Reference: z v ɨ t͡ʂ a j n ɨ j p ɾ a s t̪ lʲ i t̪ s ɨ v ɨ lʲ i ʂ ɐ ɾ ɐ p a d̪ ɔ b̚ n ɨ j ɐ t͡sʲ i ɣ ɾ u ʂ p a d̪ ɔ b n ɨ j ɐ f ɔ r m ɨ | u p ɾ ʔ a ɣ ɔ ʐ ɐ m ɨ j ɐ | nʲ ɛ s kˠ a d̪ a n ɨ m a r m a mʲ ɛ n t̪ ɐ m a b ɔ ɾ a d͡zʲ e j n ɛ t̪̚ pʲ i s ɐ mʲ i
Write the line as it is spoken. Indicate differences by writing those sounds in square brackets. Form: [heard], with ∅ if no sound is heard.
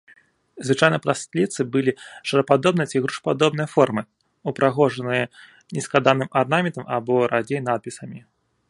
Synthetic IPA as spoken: z v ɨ t͡ʂ a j n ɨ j p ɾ a s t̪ lʲ i t̪ s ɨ [b] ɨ lʲ i ʂ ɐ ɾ ɐ p a d̪ ɔ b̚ n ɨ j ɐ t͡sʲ i ɣ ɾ u ʂ p a d̪ ɔ b n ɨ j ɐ f ɔ r m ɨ | u p ɾ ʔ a ɣ ɔ ʐ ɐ [n] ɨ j ɐ | nʲ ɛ s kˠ a d̪ a n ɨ m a r [n] a mʲ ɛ n t̪ ɐ m a b ɔ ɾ a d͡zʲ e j n [a] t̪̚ pʲ i s ɐ mʲ i